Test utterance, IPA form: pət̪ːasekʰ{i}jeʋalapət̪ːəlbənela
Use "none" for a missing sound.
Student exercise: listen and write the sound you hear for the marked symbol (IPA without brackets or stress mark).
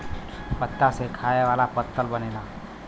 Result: a